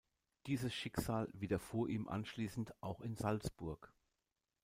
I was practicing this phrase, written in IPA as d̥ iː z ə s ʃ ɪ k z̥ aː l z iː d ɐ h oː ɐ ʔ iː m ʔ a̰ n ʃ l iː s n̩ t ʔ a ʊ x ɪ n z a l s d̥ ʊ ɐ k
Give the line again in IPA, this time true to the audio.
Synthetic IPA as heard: d̥ iː z ə s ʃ ɪ k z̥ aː l v iː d ɐ f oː ɐ ʔ iː m ʔ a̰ n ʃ l iː s n̩ t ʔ a ʊ x ɪ n z a l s b̥ ʊ ɐ k